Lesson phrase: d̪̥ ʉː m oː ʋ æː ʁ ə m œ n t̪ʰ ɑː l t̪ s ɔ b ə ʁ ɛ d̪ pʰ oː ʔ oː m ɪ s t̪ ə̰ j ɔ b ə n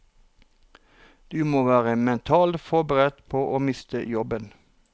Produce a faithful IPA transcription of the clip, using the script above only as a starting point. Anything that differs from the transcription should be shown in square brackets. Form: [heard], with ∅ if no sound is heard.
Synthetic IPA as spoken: d̪̥ ʉː m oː ʋ æː ʁ ə m [ɛ] n t̪ʰ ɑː l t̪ [f] ɔ b ə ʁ ɛ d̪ pʰ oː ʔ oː m ɪ s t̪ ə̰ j ɔ b ə n